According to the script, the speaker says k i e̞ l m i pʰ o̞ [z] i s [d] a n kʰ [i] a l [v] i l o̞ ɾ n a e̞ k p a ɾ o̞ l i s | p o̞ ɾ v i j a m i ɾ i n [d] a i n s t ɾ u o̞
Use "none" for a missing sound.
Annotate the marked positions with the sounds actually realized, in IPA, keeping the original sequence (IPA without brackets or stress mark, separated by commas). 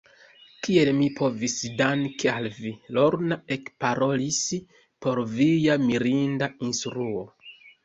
v, d, e, v, d